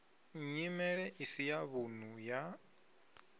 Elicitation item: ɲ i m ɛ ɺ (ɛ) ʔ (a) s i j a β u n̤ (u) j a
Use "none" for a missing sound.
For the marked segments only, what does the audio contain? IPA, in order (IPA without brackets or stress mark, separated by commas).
ɛ, i, u